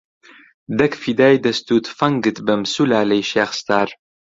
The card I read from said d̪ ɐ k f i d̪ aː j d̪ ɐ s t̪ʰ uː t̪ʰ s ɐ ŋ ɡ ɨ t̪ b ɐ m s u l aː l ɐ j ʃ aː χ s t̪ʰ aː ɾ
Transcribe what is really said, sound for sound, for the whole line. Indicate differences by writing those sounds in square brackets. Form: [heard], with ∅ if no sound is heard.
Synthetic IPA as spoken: d̪ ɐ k f i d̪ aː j d̪ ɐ s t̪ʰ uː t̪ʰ [f] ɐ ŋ ɡ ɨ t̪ b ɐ m s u l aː l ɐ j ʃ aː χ s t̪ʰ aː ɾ